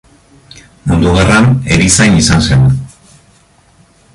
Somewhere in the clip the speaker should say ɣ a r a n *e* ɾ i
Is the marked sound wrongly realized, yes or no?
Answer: no